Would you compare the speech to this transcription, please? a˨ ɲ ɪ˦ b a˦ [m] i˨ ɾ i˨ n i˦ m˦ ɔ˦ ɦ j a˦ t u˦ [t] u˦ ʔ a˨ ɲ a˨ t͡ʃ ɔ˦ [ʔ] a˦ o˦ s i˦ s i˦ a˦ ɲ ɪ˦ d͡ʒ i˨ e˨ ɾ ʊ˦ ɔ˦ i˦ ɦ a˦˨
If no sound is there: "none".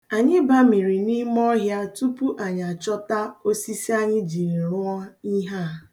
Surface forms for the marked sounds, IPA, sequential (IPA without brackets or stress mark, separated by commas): m, p, t